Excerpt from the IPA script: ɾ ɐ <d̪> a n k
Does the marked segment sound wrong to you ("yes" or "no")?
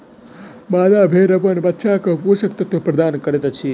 no